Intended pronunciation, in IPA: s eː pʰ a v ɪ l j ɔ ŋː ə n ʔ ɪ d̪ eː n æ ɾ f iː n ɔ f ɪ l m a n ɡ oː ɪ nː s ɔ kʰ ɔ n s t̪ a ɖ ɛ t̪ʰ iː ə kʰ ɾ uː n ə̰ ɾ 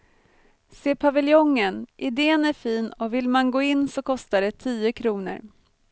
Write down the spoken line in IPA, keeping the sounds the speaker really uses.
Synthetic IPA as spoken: s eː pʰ a v ɪ l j ɔ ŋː ə n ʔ ɪ d̪ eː n æ ɾ f iː n ɔ v ɪ l m a n ɡ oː ɪ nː s ɔ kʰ ɔ s t̪ a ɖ ɛ t̪ʰ iː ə kʰ ɾ uː n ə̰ ɾ